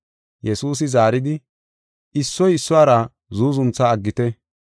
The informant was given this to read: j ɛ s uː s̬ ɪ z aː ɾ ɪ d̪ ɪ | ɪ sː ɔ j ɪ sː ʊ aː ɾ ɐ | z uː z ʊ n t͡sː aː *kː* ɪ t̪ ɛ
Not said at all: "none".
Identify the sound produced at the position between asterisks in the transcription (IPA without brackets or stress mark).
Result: ɡː